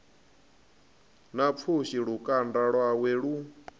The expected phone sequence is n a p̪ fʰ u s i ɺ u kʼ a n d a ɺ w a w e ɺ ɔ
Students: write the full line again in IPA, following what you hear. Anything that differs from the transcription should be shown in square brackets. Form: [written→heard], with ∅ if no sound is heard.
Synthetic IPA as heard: n a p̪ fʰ u [s→ʃ] i ɺ u kʼ a n d a ɺ w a w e ɺ [ɔ→u]